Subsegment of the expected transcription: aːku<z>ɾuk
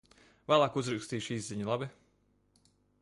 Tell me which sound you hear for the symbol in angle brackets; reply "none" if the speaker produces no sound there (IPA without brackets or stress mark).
z